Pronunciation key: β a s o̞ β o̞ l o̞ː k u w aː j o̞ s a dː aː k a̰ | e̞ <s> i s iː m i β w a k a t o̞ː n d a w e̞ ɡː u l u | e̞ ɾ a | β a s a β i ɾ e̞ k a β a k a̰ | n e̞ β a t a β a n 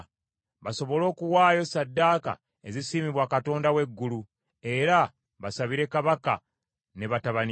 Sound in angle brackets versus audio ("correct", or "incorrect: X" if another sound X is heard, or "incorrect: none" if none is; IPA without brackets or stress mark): incorrect: z